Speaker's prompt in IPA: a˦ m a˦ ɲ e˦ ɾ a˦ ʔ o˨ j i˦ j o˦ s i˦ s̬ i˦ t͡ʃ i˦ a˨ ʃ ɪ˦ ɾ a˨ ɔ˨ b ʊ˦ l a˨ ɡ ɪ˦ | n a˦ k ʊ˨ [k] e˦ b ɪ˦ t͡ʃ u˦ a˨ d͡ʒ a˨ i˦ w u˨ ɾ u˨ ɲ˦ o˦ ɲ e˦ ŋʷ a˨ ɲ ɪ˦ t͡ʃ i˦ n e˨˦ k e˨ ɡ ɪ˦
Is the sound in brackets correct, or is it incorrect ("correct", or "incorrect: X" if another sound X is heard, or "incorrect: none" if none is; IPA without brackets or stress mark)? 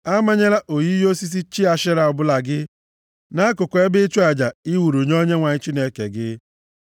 correct